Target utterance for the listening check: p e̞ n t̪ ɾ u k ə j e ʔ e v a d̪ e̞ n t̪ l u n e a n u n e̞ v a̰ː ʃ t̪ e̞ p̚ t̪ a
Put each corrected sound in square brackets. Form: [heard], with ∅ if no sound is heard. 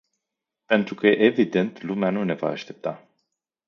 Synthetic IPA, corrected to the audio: p e̞ n t̪ ɾ u k ə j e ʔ e v [i] d̪ e̞ n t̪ l u [m] e a n u n e̞ v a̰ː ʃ t̪ e̞ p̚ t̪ a